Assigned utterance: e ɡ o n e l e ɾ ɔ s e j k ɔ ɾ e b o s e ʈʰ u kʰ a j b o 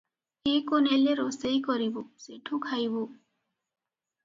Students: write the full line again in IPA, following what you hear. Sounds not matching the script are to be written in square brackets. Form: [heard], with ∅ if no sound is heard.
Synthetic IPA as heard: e [k] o n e l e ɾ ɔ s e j k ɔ ɾ [i] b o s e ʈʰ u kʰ a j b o